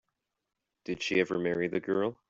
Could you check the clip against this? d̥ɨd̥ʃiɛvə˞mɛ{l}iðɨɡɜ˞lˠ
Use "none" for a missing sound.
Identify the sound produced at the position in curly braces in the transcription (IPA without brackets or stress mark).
ɹ